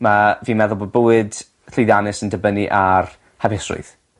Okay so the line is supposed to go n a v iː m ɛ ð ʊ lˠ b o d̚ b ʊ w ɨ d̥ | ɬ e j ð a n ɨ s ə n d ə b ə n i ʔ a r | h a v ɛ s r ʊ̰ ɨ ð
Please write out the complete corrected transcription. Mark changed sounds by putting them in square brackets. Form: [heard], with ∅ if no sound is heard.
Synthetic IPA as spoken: [m] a v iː m ɛ ð ʊ lˠ b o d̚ b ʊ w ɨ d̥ | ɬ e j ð a n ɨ s ə n d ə b ə n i ʔ a r | h a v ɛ s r ʊ̰ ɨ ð